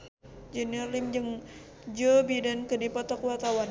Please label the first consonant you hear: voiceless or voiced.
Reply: voiced